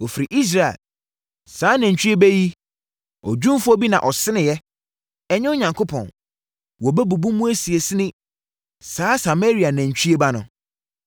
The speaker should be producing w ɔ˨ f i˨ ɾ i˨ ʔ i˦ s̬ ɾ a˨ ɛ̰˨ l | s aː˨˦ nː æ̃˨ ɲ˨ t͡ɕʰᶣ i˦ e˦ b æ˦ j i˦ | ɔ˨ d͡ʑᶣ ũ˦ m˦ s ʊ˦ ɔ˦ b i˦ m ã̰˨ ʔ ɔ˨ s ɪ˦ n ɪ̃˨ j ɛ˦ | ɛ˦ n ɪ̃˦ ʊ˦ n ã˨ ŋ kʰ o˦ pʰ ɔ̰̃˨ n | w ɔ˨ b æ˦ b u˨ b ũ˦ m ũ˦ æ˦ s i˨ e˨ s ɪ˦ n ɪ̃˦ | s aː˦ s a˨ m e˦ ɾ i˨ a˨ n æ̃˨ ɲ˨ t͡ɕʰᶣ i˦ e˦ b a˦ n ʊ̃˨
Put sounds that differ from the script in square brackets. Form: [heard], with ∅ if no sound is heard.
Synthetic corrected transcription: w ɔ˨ f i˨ ɾ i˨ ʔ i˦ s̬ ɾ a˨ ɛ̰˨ l | s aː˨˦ [n] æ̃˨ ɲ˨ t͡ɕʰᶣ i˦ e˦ b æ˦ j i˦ | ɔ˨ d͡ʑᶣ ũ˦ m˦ [f] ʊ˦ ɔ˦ b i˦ [n] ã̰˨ ʔ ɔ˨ s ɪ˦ n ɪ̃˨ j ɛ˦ | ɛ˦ [ɲ] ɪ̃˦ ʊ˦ [ɲ] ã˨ ŋ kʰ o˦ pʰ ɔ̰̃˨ n | w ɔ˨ b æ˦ b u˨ b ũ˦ m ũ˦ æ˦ s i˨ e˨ s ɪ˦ n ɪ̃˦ | s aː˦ s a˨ m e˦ ɾ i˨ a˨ n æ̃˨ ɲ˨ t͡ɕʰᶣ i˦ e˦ b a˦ n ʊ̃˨

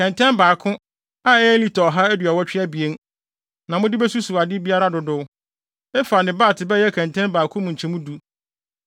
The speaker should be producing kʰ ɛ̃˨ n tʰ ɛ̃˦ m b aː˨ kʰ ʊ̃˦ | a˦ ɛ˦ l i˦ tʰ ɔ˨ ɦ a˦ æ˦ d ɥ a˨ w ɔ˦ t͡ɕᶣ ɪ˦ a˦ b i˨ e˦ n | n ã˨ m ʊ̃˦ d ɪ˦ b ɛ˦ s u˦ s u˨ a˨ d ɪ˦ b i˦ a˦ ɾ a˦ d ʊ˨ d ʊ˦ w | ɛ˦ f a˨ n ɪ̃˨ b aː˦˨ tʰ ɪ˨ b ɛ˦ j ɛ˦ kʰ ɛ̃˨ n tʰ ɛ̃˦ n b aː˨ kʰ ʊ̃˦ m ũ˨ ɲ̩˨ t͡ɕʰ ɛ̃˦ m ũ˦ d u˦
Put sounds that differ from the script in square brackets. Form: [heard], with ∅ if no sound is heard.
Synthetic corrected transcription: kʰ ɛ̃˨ n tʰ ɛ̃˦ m b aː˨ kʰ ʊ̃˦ | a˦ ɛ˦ l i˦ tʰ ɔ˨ ɦ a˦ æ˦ d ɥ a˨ w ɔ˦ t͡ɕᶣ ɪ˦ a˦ b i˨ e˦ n | n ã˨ m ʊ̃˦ d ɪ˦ b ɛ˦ s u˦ s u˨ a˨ d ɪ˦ b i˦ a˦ ɾ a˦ d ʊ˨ d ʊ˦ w | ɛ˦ f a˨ n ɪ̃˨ b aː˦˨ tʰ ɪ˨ b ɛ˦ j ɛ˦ kʰ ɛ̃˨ n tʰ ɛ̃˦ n b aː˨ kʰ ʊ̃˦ m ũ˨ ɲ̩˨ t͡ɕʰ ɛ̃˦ m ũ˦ d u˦

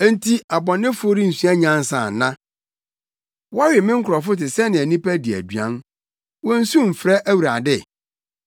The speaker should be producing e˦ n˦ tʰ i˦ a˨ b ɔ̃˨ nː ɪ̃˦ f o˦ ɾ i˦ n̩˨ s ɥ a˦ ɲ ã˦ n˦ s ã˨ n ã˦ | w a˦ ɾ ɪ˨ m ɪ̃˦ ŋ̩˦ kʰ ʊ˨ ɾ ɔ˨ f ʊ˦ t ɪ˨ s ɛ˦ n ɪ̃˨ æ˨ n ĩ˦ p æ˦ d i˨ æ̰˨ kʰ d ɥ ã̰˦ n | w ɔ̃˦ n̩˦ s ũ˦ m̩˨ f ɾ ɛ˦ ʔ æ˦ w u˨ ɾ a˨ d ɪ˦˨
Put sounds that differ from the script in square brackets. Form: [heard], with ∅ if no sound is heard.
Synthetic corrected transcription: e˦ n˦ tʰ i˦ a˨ b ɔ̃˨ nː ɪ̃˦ f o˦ ɾ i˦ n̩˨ s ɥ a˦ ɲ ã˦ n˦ s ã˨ n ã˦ | w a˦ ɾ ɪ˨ m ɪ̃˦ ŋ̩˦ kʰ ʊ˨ ɾ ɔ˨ f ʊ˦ t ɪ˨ s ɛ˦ n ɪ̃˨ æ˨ n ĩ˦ p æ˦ d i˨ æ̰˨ [∅] d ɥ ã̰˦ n | w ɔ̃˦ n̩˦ s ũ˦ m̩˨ f ɾ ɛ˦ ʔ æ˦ w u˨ ɾ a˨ d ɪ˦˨

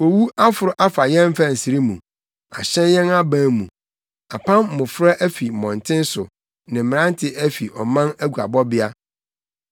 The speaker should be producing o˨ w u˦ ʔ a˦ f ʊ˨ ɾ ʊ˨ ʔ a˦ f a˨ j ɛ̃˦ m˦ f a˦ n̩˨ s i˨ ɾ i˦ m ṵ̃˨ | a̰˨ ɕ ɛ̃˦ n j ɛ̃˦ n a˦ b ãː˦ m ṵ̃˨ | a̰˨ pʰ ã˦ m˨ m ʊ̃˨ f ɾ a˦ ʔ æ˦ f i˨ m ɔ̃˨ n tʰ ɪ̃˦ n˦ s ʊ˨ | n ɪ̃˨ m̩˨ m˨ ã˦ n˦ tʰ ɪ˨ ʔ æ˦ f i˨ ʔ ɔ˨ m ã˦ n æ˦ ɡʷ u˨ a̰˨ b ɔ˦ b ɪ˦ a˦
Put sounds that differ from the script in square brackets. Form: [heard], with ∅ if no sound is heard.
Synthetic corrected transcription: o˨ w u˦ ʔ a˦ f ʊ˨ ɾ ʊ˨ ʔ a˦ f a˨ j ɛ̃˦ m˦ f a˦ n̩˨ s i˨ ɾ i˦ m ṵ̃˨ | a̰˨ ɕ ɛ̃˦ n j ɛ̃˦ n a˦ b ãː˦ m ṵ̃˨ | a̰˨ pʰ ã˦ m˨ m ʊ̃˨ f ɾ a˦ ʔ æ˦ f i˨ m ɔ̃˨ n tʰ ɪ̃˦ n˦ s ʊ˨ | n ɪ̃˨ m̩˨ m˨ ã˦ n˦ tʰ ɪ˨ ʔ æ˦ f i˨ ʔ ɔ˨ m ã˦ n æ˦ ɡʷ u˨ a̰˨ b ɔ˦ b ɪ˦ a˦

